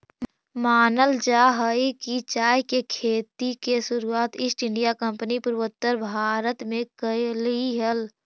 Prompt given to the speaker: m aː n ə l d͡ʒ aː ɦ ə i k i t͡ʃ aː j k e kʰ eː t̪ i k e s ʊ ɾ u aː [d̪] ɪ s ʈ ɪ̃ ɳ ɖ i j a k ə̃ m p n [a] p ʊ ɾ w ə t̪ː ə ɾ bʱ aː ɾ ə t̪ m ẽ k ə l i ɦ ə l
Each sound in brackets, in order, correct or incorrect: incorrect: t̪, incorrect: i

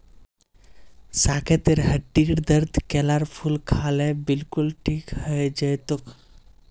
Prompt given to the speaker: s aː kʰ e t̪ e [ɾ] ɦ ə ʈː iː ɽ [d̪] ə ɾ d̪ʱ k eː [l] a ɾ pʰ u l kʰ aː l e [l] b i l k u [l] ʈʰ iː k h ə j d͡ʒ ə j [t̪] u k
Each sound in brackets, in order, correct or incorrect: correct, correct, correct, incorrect: none, correct, correct

